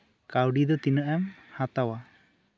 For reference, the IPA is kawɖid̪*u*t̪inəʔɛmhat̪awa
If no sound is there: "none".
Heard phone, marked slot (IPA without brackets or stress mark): ɔ